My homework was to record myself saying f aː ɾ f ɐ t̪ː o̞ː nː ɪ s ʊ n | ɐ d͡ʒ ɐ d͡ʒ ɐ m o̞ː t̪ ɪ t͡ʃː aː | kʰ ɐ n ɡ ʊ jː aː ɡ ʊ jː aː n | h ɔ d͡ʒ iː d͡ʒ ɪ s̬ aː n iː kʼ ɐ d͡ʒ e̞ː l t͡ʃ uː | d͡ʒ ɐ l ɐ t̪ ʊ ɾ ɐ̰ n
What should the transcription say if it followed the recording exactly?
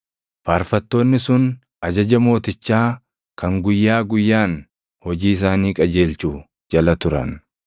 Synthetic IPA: f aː ɾ f ɐ t̪ː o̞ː nː ɪ s ʊ n | ɐ d͡ʒ ɐ d͡ʒ ɐ m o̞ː t̪ ɪ t͡ʃː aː | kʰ ɐ ŋ ɡ ʊ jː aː ɡ ʊ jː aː n | h ɔ d͡ʒ iː ɪ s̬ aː n iː kʼ ɐ d͡ʒ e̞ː l t͡ʃ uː | d͡ʒ ɐ l ɐ t̪ ʊ ɾ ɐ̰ n